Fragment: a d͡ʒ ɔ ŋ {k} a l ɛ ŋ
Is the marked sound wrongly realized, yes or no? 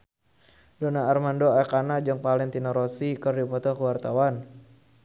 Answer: yes